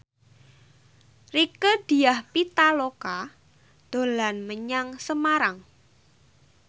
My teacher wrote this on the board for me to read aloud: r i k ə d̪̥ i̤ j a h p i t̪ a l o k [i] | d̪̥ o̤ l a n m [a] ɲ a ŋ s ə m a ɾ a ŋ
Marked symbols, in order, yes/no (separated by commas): no, no